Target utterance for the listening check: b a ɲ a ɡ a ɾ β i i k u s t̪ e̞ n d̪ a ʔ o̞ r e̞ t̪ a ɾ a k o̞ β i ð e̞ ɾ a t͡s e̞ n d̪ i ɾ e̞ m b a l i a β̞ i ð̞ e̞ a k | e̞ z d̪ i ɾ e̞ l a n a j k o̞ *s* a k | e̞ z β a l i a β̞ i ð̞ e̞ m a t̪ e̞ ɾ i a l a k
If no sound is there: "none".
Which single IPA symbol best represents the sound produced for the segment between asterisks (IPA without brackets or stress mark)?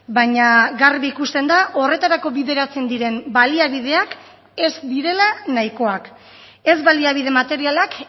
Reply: none